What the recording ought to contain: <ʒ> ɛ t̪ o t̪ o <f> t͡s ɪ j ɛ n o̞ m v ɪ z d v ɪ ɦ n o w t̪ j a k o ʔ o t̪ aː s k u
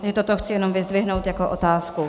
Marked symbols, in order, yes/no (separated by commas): yes, no